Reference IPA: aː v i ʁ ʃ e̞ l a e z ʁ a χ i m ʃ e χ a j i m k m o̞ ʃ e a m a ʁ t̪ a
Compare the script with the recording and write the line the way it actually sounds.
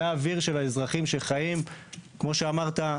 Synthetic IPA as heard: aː v i ʁ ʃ e̞ l a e z ʁ a χ i m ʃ e χ a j i m k m o̞ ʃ e a m a ʁ t̪ a